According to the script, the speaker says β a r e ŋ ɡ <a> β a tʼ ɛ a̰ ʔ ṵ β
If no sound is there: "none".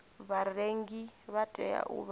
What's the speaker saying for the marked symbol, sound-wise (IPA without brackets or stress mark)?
i